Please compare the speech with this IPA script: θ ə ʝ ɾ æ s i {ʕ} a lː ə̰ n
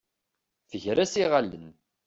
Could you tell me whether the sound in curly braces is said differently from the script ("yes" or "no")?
yes